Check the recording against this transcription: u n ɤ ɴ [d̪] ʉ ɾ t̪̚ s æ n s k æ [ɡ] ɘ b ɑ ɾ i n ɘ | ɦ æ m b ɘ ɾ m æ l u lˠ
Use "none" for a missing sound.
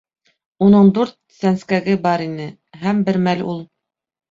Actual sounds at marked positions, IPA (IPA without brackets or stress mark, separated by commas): d̪, ɡ